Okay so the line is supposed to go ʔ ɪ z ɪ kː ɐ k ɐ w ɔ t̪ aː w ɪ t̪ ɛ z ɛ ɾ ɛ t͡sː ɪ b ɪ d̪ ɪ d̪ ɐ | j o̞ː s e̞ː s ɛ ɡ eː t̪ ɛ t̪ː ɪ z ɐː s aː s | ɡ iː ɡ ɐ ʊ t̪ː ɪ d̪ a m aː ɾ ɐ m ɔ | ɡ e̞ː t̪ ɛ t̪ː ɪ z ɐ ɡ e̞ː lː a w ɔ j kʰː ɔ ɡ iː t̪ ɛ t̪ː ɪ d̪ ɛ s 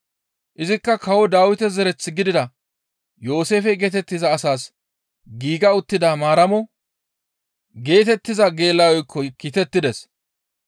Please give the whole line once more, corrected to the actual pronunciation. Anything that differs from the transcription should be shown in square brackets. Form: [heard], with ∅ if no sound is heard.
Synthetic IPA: ʔ ɪ z ɪ kː ɐ k ɐ w ɔ [d̪] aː w ɪ t̪ ɛ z ɛ ɾ ɛ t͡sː ɪ [ɡ] ɪ d̪ ɪ d̪ ɐ | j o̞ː s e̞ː [f] ɛ ɡ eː t̪ ɛ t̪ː ɪ z ɐː s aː s | ɡ iː ɡ ɐ ʊ t̪ː ɪ d̪ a m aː ɾ ɐ m ɔ | ɡ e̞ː t̪ ɛ t̪ː ɪ z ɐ ɡ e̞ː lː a w ɔ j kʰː ɔ [k] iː t̪ ɛ t̪ː ɪ d̪ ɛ s